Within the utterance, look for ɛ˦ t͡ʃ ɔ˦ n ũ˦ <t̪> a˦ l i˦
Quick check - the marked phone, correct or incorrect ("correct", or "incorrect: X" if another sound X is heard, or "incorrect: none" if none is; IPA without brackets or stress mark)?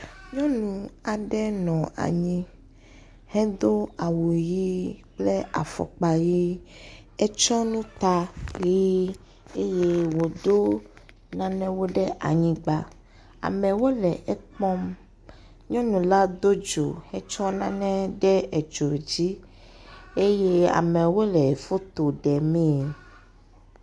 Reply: correct